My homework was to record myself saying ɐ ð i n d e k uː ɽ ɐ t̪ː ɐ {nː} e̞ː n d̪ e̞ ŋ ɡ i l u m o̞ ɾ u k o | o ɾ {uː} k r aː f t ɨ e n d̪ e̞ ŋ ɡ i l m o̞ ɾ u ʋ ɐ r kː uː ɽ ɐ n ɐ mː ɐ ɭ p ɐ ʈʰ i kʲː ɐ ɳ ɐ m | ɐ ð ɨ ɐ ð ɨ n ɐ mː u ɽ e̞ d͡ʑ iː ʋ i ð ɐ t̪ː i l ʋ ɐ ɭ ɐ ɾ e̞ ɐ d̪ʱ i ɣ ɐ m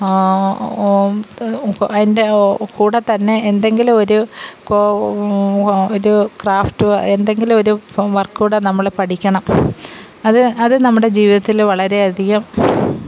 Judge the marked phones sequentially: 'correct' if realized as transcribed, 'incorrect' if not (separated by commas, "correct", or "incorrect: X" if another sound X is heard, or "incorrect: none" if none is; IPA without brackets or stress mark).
correct, incorrect: u